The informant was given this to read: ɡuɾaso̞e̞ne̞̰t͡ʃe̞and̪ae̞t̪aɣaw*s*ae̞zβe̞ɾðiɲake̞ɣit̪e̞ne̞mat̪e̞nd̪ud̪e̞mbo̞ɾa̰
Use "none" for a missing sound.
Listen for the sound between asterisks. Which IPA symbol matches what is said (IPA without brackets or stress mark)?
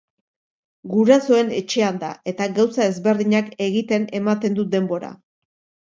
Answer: s